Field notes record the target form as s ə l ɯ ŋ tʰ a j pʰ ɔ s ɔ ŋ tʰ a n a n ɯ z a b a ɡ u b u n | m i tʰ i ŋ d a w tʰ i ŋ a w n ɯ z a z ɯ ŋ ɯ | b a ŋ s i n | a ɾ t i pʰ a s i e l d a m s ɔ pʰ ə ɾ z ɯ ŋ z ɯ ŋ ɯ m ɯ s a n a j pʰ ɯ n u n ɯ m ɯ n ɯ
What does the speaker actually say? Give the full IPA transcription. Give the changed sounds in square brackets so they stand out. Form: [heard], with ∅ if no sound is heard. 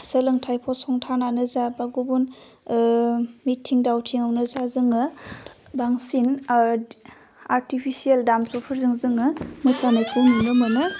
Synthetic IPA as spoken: s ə l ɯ ŋ tʰ a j pʰ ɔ s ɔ ŋ tʰ a n a n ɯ z a b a ɡ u b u n | m i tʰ i ŋ d a w tʰ i ŋ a w n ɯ z a z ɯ ŋ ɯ | b a ŋ s i n | a ɾ t i pʰ [i] s i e l d a m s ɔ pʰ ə ɾ z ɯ ŋ z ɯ ŋ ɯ m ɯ s a n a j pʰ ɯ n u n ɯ m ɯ n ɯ